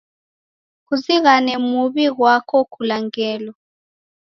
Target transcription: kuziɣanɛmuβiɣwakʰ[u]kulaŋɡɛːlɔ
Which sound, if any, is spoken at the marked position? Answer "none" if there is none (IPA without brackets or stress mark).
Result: ɔ